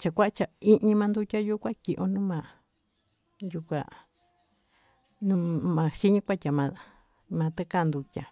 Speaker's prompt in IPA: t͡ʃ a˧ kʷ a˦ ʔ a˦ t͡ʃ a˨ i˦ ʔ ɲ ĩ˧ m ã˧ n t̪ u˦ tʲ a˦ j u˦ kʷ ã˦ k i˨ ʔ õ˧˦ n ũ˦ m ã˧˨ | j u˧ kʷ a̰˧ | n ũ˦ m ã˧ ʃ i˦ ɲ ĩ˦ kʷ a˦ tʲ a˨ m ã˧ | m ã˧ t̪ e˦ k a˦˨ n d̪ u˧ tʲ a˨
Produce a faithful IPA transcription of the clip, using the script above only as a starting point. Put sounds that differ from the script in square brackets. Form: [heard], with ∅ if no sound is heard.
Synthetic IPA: t͡ʃ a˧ kʷ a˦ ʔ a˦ t͡ʃ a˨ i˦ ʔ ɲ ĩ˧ m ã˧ n [d̪] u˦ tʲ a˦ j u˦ kʷ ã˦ k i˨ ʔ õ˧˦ n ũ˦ m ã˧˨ | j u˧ kʷ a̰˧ | n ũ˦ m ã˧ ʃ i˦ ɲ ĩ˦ kʷ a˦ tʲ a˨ m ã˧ | m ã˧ t̪ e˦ k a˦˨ n d̪ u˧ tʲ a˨